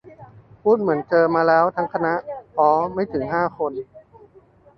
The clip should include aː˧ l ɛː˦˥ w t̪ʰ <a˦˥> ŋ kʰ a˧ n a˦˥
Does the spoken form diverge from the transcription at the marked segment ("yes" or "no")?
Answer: no